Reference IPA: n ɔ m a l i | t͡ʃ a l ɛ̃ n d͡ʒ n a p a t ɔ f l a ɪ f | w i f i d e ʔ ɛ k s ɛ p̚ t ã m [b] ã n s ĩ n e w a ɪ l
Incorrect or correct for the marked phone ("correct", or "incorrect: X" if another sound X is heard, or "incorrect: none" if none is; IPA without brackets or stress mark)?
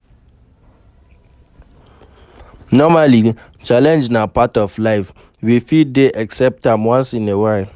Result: incorrect: w